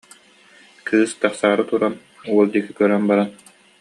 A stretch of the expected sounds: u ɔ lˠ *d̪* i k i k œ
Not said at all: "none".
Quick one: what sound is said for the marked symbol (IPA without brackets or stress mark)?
d̪